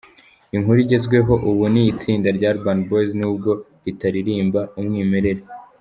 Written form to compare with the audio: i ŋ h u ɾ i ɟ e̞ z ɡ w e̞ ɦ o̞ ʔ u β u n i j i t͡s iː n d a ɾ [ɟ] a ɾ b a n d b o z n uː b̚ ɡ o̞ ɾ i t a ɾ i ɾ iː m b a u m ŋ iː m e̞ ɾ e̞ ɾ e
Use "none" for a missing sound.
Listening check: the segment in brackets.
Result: ɟ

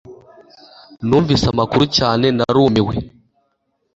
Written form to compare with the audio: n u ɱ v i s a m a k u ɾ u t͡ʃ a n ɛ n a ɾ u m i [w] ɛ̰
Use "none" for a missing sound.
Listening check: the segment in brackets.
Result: w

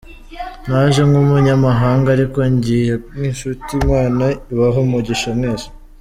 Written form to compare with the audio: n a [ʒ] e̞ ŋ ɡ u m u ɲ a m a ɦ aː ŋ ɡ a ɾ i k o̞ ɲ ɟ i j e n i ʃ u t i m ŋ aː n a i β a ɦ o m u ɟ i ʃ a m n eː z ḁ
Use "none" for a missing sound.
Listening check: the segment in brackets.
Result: ʒ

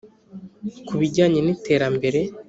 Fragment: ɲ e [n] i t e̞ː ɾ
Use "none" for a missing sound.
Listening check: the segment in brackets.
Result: n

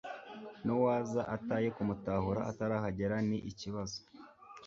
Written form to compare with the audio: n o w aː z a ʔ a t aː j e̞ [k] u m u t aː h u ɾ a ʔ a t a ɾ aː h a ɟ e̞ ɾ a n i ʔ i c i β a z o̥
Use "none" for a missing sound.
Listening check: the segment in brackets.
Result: k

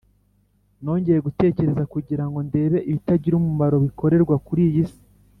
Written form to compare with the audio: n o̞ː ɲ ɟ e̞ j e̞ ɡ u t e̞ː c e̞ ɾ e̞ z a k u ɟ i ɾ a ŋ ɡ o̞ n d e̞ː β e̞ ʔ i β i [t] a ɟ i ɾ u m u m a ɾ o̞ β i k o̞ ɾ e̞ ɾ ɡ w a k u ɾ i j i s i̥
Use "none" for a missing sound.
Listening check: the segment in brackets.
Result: t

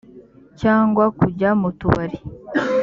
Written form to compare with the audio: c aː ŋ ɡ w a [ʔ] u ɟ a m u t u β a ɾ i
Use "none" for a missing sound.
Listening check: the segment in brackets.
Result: k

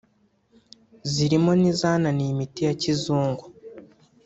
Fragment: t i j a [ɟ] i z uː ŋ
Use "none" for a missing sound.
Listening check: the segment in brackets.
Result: c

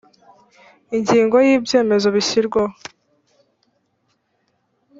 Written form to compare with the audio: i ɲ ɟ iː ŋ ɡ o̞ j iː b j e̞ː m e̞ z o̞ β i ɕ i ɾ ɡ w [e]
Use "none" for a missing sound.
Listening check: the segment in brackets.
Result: a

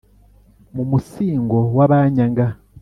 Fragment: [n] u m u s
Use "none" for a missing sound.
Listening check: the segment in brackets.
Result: m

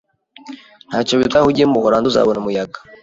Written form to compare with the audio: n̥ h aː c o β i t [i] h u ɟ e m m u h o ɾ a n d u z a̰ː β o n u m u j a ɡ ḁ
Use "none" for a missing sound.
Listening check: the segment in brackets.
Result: a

